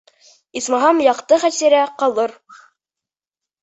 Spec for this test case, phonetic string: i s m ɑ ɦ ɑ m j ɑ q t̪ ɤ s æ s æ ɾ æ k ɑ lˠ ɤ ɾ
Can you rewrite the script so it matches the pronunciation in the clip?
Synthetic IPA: i s m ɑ ɦ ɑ m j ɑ q t̪ ɤ χ æ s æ ɾ æ q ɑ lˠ ɤ ɾ

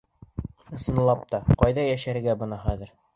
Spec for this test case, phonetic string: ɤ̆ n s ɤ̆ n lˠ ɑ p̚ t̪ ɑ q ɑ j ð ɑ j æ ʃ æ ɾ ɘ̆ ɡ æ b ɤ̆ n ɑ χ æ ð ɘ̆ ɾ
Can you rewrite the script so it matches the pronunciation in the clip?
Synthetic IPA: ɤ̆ s ɤ̆ n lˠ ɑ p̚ t̪ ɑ q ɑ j ð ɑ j æ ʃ æ ɾ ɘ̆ ɡ æ b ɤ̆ n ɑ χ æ ð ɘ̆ ɾ

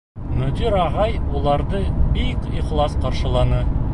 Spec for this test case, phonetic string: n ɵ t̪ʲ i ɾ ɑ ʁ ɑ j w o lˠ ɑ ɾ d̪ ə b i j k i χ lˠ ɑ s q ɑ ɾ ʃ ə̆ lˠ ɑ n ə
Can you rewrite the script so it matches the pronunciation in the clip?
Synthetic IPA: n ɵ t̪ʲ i ɾ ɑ ʁ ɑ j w o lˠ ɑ ɾ d̪ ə b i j k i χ lˠ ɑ s q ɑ ɾ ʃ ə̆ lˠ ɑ n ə

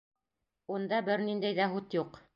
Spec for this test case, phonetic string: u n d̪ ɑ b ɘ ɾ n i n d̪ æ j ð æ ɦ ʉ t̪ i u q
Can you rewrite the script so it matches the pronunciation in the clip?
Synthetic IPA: u n d̪ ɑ b ɘ ɾ n i n d̪ æ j ð æ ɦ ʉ t̪ j u q

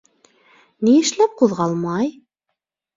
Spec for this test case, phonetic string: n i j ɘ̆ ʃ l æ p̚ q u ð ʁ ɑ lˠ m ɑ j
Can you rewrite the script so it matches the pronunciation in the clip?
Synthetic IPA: n i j ɘ̆ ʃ l æ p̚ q u ð ʁ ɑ lˠ m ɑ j

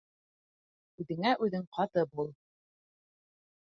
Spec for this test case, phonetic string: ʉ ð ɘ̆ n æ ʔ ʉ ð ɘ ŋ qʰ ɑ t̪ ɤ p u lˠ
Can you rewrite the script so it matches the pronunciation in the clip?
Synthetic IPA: ʉ ð ɘ̆ ŋ æ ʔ ʉ ð ɘ ŋ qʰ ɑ t̪ ɤ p u lˠ

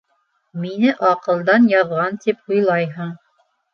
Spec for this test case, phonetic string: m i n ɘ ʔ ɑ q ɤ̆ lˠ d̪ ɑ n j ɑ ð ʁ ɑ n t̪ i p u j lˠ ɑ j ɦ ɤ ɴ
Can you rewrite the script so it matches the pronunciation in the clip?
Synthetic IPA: m i n ɘ ʔ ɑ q ɤ̆ lˠ d̪ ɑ n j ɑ ð ʁ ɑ n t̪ i p u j lˠ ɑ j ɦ ɤ ɴ

